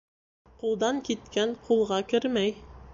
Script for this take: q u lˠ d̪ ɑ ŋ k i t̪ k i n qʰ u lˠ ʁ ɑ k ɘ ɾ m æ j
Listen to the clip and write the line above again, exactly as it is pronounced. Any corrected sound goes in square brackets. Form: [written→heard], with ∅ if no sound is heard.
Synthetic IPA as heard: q u lˠ d̪ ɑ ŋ k i t̪ k [i→æ] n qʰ u lˠ ʁ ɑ k ɘ ɾ m æ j